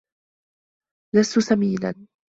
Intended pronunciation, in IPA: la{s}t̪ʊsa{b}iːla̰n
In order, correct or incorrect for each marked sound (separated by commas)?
correct, incorrect